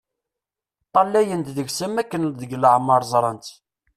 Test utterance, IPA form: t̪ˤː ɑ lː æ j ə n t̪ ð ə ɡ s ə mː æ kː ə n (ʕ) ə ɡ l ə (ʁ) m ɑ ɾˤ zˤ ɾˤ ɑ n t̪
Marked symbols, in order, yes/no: no, no

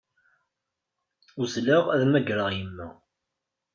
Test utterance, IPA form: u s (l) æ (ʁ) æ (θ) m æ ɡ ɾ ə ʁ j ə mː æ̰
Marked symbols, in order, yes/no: yes, yes, no

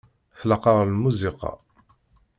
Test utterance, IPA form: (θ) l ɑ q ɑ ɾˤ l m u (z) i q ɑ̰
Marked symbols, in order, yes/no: yes, yes

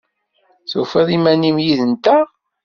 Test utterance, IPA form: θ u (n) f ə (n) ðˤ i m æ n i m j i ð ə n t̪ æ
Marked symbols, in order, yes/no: no, no

